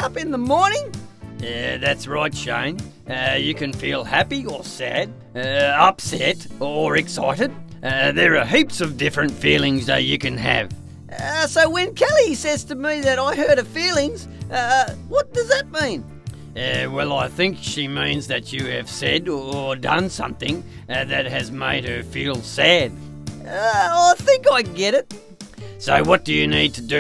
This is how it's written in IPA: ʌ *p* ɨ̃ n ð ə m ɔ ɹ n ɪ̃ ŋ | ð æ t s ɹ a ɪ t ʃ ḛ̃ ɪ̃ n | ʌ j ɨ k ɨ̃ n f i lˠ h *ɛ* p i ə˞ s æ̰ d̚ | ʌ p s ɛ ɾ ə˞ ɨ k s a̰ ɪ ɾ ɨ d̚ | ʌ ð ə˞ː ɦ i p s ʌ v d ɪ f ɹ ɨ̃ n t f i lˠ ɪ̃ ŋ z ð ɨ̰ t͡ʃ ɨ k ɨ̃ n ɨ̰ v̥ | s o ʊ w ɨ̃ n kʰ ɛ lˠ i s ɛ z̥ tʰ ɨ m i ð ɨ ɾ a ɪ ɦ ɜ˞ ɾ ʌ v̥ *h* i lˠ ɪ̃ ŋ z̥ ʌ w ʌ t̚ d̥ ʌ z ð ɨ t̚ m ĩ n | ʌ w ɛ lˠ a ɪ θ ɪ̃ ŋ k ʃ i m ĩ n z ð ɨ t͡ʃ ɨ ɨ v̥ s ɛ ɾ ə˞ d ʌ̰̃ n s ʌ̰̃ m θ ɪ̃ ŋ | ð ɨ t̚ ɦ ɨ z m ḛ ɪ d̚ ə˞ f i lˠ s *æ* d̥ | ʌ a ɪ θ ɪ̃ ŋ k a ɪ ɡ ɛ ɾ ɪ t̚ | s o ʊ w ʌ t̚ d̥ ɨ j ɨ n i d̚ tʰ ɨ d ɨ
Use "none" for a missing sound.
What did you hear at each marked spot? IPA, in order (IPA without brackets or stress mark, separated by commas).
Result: p, æ, f, æ